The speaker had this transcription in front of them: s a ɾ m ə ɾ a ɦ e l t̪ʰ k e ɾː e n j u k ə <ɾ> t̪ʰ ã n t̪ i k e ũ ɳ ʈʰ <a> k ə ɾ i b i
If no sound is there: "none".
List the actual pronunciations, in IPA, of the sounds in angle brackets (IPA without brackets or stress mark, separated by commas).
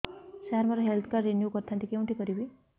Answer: ɾ, i